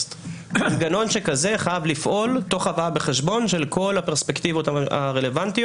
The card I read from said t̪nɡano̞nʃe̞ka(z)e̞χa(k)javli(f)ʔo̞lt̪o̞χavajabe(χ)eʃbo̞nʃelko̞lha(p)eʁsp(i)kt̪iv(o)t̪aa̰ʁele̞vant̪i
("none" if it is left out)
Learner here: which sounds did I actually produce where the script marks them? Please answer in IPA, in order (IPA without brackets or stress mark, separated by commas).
z, none, f, χ, p, e, o